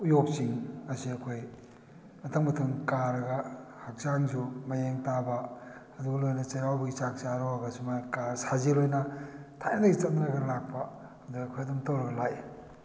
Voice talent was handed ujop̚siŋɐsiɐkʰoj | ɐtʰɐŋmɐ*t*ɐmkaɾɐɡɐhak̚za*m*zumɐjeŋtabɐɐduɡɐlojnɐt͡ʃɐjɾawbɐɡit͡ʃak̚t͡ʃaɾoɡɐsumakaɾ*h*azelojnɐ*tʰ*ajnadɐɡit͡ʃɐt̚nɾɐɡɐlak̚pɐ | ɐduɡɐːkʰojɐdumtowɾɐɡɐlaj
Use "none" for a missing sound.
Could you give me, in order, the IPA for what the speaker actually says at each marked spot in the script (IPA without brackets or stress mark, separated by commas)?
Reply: tʰ, ŋ, s, tʰ